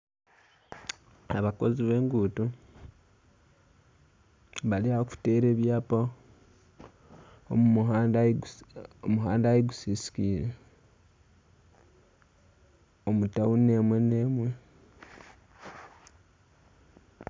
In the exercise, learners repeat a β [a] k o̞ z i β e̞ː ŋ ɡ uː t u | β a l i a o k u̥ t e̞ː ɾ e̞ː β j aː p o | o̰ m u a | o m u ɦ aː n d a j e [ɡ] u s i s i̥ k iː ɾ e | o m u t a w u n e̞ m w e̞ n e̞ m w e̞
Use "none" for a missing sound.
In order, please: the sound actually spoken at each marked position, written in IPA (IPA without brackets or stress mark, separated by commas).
a, ɡ